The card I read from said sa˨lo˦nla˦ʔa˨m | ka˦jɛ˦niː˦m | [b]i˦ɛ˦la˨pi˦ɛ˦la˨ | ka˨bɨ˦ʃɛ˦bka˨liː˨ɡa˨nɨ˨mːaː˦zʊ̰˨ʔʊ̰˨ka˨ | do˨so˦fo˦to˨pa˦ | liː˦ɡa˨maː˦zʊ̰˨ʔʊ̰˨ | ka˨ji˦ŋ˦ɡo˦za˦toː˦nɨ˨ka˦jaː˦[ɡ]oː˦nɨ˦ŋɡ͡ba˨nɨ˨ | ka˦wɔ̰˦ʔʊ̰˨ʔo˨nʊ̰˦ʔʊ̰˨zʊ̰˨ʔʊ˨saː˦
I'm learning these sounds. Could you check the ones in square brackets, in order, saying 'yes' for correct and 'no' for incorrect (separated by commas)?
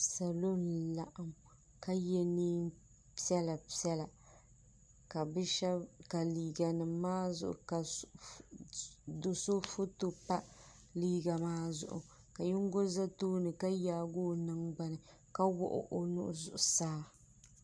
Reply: no, yes